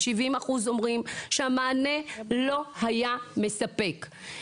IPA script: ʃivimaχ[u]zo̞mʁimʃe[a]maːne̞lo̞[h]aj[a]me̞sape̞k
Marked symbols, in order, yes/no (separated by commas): yes, yes, yes, yes